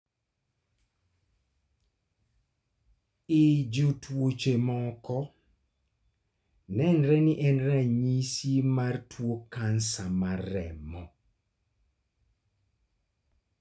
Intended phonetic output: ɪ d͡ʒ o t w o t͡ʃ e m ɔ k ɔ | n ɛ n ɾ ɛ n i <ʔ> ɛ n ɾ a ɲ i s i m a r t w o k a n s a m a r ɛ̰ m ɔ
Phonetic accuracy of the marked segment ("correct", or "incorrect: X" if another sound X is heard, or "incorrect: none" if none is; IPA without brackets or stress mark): correct